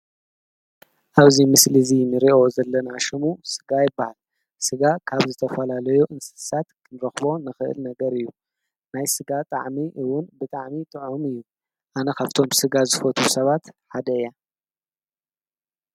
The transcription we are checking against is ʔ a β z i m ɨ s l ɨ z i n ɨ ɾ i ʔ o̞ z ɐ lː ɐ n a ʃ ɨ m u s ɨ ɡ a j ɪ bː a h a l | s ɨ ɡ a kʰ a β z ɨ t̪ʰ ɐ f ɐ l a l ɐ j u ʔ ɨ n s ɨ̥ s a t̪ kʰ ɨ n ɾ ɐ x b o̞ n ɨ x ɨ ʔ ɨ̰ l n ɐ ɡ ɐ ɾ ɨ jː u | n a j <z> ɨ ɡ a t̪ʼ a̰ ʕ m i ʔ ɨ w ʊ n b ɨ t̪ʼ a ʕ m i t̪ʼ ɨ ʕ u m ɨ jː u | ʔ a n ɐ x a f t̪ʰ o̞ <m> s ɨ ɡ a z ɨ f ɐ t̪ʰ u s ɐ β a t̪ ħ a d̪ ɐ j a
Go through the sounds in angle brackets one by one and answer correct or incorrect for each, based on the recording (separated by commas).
incorrect, correct